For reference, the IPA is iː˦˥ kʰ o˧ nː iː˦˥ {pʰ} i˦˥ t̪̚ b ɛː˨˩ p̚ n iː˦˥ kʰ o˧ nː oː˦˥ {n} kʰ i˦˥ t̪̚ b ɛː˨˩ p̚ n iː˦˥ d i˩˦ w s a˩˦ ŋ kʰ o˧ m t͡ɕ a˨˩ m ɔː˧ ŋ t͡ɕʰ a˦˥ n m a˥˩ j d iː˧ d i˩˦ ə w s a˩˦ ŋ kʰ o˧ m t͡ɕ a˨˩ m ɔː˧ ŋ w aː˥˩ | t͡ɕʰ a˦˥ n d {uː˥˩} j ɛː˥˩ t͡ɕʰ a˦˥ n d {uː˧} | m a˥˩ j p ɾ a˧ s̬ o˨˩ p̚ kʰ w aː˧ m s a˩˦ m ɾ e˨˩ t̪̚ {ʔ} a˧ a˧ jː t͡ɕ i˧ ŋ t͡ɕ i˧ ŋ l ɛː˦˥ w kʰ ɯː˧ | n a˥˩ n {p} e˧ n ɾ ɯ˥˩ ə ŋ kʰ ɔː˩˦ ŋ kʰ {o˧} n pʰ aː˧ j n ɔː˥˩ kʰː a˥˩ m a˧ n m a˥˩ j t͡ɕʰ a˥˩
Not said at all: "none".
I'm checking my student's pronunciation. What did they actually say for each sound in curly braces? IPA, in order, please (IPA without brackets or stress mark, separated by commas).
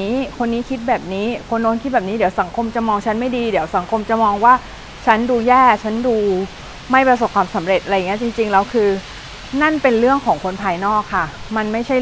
kʰ, n, uː˧, uː˧, ʔ, p, o˧